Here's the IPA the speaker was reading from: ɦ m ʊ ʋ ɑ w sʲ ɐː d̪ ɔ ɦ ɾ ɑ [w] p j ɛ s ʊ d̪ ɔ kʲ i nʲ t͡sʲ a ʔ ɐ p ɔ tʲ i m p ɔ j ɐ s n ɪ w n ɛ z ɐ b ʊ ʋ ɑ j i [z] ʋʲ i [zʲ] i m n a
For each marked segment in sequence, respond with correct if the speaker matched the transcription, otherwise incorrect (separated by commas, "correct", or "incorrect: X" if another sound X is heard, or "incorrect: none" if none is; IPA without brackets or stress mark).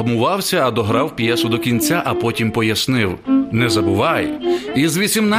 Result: correct, correct, incorrect: sʲ